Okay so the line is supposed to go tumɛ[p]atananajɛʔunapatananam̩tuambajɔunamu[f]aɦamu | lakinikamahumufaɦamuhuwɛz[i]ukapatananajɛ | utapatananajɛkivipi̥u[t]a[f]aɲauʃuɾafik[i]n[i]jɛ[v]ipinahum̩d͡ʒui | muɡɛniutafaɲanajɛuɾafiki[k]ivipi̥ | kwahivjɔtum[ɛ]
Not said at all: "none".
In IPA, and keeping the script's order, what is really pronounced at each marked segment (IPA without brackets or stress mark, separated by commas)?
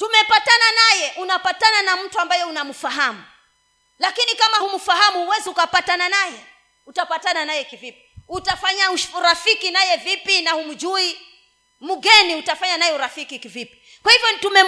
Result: p, f, i, t, f, i, a, v, k, ɛ